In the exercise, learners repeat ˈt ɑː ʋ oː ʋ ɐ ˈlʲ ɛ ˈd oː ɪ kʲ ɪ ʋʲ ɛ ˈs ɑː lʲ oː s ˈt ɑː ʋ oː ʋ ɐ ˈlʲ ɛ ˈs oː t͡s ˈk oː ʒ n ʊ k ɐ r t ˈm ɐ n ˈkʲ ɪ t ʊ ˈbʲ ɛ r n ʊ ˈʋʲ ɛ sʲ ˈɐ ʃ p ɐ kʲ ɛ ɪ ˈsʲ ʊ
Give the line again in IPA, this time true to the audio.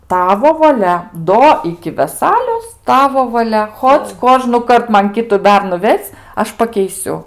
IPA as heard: ˈt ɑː ʋ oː ʋ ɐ ˈlʲ ɛ ˈd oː ɪ kʲ ɪ ʋʲ ɛ ˈs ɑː lʲ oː s ˈt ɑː ʋ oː ʋ ɐ ˈlʲ ɛ ˈx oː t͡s ˈk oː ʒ n ʊ k ɐ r t ˈm ɐ n ˈkʲ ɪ t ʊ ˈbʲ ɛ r n ʊ ˈʋʲ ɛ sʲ ˈɐ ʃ p ɐ kʲ ɛ ɪ ˈsʲ ʊ